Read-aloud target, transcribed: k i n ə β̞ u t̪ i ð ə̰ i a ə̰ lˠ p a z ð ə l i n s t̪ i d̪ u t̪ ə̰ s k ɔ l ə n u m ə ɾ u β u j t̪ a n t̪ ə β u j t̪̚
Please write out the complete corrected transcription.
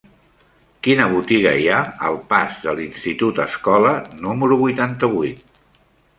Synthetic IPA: k i n ə β̞ u t̪ i ɣ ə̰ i a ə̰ lˠ p a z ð ə l i n s t̪ i t̪ u t̪ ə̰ s k ɔ l ə n u m ə ɾ u β u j t̪ a n t̪ ə β u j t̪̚